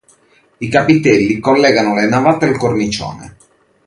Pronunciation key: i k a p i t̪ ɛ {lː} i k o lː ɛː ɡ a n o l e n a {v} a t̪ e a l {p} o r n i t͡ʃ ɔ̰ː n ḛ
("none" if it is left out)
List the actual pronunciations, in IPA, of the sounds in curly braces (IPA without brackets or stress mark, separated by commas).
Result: lː, v, k